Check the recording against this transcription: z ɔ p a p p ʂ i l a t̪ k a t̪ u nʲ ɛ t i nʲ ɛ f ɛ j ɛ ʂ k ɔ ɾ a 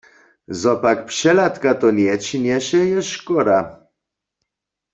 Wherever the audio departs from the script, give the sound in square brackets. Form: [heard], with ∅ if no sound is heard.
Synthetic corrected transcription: z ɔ p a [k] p ʂ [ɛ] l a t̪ k a t̪ [ɔ] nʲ ɛ [t͡ɕ] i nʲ ɛ [ɕ] ɛ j ɛ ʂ k ɔ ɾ a